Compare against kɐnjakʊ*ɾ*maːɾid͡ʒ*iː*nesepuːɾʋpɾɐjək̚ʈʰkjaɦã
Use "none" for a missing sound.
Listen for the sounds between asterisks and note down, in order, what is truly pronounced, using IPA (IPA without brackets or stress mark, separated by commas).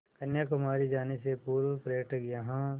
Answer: none, aː